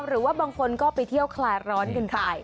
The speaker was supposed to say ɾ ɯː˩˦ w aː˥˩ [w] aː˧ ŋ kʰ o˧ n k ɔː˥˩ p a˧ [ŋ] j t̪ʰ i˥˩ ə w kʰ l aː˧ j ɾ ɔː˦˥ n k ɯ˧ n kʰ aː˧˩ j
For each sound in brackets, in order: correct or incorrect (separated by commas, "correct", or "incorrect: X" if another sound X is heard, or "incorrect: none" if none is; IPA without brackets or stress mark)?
incorrect: b, incorrect: none